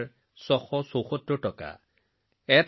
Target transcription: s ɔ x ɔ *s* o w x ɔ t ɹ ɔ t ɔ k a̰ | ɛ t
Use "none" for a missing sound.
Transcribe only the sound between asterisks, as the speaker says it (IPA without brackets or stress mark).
s